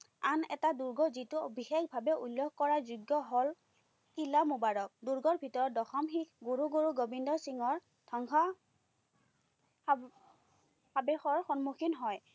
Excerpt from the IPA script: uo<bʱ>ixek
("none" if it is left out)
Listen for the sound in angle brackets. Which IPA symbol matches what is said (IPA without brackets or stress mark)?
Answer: bʱ